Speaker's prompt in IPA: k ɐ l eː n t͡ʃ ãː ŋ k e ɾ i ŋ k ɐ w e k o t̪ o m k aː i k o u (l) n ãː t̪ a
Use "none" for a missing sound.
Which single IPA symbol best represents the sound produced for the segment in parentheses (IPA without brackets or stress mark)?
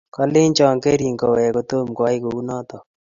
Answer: none